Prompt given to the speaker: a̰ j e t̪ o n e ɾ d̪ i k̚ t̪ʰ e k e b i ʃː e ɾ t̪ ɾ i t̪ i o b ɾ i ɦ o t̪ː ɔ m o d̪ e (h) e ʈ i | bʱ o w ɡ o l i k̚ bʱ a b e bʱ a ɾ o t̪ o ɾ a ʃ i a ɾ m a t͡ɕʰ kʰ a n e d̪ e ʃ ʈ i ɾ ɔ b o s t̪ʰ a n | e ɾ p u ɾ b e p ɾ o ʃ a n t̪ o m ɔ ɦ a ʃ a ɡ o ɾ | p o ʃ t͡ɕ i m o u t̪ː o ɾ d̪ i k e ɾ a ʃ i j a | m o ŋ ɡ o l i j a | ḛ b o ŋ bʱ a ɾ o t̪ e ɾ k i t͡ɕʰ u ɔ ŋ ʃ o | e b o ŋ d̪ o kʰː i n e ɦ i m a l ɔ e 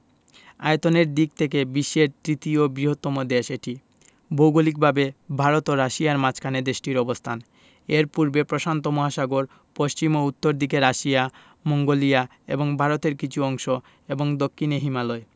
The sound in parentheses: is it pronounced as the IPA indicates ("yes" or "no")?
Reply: no